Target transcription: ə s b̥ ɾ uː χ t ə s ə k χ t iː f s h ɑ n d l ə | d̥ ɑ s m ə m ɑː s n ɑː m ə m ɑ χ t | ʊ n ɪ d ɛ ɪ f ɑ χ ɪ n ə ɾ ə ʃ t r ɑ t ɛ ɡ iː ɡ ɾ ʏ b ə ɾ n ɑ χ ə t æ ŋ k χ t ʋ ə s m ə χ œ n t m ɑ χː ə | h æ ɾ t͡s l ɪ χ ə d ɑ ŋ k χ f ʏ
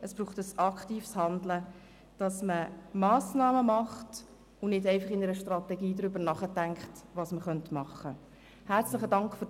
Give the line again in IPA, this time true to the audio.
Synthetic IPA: ə s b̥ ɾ uː χ t ə s ɑ k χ t iː f s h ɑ n d l ə | d̥ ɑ s m ə m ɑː s n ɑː m ə m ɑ χ t | ʊ n ɪ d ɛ ɪ f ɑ χ ɪ n ə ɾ ə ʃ t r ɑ t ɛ ɡ iː d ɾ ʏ b ə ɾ n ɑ χ ə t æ ŋ k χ t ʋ ɑ s m ə χ œ n t m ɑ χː ə | h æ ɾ t͡s l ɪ χ ə d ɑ ŋ k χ f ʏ